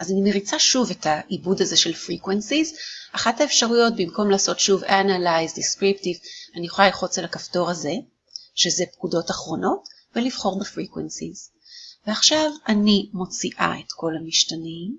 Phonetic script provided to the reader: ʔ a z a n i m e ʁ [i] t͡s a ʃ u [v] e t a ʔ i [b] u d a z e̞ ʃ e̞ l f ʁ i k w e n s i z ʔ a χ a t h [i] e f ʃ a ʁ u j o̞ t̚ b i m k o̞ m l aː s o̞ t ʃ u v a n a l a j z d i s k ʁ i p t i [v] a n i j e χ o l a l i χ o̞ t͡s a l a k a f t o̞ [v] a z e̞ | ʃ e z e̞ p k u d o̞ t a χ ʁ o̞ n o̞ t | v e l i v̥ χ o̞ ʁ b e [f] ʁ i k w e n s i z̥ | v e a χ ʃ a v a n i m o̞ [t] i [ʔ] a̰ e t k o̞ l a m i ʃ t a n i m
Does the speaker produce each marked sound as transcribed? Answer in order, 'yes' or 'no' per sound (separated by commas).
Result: yes, yes, yes, no, yes, no, yes, no, yes